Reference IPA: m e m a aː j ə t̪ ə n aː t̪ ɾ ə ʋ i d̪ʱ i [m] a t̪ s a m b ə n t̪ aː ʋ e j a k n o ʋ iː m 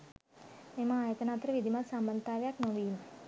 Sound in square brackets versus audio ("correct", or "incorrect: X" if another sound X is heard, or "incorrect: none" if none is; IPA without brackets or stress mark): correct